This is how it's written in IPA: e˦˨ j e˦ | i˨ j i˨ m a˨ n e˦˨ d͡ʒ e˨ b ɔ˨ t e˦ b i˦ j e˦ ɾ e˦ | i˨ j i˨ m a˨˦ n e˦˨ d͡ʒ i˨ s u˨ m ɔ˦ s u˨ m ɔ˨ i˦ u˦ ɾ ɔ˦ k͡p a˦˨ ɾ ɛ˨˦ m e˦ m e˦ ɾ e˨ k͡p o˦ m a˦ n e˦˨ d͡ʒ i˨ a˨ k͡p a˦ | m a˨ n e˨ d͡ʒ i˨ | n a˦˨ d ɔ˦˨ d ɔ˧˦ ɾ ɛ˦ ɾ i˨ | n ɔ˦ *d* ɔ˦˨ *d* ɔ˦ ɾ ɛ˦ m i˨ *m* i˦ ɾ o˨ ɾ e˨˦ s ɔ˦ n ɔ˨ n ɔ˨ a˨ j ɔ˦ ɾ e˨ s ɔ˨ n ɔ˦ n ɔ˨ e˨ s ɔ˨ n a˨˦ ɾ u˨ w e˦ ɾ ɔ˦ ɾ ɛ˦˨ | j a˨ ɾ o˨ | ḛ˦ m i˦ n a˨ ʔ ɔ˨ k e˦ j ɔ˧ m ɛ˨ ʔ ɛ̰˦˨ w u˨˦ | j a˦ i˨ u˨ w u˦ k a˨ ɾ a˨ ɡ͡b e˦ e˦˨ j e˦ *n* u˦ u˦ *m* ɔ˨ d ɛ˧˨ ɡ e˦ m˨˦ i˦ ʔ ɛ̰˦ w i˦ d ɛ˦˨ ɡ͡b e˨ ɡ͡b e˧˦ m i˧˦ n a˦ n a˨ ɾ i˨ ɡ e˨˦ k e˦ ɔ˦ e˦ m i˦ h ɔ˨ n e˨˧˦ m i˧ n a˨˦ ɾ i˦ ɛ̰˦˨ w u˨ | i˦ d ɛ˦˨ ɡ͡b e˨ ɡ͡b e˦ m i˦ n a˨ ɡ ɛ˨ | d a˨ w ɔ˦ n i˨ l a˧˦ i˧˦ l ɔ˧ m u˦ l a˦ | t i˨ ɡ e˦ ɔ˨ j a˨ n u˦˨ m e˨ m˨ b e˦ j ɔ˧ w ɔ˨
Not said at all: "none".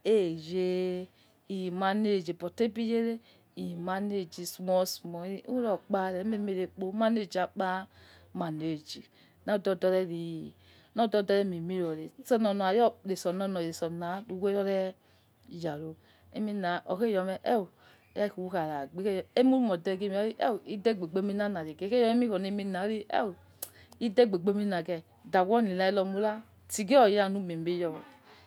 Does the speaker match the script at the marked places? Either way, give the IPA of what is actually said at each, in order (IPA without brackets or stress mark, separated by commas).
d, d, m, m, m